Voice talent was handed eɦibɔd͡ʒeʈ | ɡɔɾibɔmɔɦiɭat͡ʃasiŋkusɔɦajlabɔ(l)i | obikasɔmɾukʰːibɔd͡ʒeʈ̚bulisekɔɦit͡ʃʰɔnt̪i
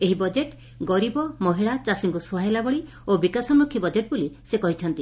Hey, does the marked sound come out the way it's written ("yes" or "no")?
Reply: no